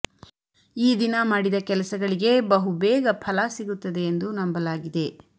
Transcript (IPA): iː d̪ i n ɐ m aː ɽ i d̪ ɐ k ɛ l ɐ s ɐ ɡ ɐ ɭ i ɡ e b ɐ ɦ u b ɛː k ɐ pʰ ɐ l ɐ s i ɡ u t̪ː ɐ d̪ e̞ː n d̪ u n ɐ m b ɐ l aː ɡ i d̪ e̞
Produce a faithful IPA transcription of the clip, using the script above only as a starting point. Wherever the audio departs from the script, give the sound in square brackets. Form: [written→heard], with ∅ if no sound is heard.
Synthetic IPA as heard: iː d̪ i n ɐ m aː ɽ i d̪ ɐ k ɛ l ɐ s ɐ ɡ ɐ ɭ i ɡ e b ɐ ɦ u b ɛː [k→ɡ] ɐ pʰ ɐ l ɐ s i ɡ u t̪ː ɐ d̪ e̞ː n d̪ u n ɐ m b ɐ l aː ɡ i d̪ e̞